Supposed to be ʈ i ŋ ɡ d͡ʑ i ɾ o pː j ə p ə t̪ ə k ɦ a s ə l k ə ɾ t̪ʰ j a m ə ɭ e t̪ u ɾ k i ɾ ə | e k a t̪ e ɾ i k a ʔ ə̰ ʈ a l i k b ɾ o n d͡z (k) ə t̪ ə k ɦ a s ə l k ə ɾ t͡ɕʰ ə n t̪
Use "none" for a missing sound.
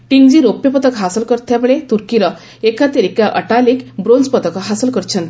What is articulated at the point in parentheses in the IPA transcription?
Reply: p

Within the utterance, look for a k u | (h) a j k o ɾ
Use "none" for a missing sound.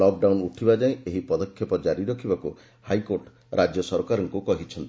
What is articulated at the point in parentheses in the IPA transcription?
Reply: h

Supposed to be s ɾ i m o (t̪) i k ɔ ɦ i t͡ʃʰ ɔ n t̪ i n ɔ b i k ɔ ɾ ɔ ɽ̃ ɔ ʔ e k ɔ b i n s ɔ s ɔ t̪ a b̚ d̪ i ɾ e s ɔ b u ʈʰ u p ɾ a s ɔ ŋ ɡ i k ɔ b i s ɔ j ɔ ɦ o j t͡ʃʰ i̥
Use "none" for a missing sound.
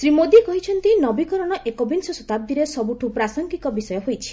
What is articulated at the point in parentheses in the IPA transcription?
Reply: d̪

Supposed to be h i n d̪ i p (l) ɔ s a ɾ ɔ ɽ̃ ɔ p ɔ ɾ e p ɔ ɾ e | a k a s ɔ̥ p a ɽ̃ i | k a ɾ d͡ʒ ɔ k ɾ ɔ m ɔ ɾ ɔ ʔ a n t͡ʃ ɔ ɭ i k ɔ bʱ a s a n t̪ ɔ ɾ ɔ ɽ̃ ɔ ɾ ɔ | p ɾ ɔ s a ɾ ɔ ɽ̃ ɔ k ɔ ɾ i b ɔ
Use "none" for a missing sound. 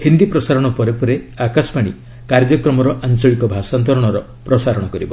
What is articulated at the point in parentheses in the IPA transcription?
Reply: ɾ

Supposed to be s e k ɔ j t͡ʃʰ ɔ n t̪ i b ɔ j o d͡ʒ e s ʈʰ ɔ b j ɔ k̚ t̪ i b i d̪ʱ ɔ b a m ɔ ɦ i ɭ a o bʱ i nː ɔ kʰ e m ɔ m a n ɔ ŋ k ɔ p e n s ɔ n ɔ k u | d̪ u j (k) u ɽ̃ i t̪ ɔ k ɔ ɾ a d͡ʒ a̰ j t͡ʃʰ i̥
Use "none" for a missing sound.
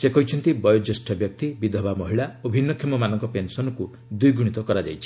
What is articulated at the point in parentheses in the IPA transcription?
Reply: ɡ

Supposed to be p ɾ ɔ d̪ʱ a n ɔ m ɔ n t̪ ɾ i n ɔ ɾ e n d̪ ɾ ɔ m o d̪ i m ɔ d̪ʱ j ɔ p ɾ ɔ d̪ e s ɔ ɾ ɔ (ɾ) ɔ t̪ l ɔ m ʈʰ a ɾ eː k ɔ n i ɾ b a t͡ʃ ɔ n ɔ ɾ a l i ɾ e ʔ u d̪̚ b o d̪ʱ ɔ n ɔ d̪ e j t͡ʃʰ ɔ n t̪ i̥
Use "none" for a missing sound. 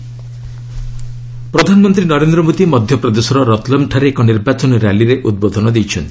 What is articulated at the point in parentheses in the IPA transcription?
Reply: ɾ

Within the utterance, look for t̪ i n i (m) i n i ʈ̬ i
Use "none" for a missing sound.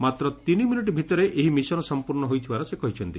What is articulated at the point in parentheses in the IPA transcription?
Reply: m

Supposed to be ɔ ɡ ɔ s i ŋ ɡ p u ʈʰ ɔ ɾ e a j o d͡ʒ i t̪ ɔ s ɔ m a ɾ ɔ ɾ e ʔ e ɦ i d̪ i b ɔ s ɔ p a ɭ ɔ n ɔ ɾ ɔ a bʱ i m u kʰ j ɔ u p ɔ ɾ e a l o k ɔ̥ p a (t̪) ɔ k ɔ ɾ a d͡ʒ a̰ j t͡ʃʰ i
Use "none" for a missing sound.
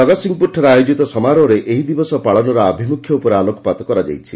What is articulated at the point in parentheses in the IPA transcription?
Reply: t̪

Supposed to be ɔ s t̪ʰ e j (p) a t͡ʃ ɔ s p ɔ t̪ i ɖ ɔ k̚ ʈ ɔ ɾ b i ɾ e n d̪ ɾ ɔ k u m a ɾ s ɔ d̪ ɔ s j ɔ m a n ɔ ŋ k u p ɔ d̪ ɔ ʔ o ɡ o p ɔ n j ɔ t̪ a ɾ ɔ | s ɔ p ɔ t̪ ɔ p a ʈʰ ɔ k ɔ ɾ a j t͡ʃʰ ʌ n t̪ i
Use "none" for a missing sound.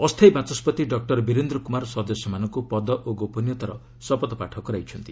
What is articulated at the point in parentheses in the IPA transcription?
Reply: b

